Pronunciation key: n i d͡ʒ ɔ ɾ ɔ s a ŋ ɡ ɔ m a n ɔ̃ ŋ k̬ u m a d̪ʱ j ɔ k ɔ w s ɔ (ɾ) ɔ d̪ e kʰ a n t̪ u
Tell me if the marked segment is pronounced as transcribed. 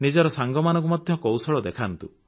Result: no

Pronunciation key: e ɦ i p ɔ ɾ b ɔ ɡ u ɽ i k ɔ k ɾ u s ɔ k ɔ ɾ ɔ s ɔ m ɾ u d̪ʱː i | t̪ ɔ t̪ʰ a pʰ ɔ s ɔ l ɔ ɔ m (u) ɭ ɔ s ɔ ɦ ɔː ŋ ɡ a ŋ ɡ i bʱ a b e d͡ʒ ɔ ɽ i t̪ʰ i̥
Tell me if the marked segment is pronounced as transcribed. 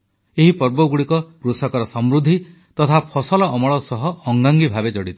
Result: no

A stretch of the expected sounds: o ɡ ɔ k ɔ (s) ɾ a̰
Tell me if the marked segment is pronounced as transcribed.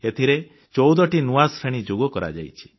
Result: no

